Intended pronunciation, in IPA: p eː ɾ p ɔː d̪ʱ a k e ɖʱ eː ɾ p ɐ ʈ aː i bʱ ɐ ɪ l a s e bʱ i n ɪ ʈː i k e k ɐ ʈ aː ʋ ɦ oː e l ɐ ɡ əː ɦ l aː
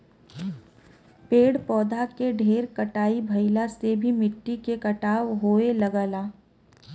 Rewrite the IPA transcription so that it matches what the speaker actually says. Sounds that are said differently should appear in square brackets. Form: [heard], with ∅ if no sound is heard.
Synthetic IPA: p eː [ɽ] p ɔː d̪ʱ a k e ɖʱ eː ɾ [k] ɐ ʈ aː i bʱ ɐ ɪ l a s e bʱ i [m] ɪ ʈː i k e k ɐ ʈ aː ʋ ɦ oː e l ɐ ɡ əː [∅] l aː